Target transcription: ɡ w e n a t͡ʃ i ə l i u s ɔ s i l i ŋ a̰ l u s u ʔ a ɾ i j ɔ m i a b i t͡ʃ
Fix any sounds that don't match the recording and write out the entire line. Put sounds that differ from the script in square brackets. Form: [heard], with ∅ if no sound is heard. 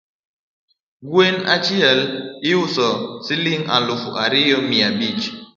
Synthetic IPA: ɡ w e n a t͡ʃ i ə l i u s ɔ s i l i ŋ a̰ l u [f] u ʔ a ɾ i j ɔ m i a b i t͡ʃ